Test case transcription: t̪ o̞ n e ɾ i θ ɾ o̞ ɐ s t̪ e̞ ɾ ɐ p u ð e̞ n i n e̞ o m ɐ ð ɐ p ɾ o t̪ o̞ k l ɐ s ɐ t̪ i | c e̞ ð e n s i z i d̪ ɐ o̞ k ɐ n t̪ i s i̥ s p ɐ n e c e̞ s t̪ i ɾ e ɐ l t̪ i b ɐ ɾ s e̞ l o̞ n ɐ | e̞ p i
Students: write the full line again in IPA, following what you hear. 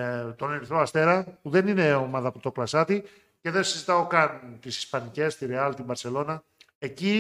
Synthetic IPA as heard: t̪ o̞ n e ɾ i θ ɾ o̞ ɐ s t̪ e̞ ɾ ɐ p u ð e̞ n i n e̞ o m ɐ ð ɐ p ɾ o t̪ o̞ k l ɐ s ɐ t̪ i | c e̞ ð e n s i z i t̪ ɐ o̞ k ɐ n t̪ i s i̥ s p ɐ n i c e̞ s t̪ i ɾ e ɐ l t̪ i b ɐ ɾ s e̞ l o̞ n ɐ | e̞ c i